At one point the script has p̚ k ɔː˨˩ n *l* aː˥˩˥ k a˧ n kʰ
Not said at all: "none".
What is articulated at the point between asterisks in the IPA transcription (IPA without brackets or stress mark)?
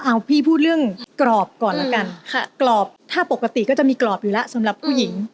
l